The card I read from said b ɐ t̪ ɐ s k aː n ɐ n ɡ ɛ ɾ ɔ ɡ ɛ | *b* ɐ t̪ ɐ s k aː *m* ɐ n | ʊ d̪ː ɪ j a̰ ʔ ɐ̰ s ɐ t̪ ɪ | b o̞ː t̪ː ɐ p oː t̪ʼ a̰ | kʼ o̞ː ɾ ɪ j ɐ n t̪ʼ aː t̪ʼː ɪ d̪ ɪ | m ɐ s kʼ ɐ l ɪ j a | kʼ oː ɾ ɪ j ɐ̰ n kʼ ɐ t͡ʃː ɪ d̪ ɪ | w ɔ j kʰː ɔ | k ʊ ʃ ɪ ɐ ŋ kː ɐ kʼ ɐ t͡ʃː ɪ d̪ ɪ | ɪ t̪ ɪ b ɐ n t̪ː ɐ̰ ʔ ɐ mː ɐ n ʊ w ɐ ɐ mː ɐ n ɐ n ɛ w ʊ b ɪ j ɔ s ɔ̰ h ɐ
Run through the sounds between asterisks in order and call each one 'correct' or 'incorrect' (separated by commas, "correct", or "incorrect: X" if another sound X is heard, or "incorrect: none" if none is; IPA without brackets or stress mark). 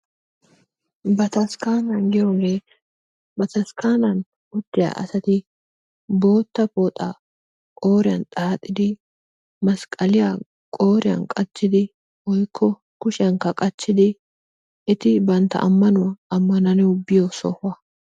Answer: correct, incorrect: n